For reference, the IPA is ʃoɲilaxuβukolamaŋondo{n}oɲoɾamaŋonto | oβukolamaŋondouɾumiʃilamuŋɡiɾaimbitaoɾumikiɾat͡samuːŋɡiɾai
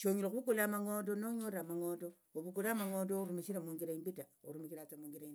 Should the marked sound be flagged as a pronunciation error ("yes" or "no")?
no